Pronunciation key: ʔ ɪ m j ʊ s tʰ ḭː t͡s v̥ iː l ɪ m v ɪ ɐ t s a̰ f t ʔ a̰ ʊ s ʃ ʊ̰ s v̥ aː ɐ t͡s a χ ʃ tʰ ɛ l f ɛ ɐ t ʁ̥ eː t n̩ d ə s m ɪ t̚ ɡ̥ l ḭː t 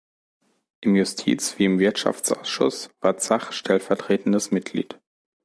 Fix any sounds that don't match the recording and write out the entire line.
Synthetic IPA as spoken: ʔ ɪ m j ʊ s tʰ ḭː t͡s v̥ iː ɪ m v ɪ ɐ t ʃ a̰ f t͡s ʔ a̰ ʊ s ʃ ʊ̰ s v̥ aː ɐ t͡s a χ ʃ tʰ ɛ l f ɛ ɐ t ʁ̥ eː t n̩ d ə s m ɪ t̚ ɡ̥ l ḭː t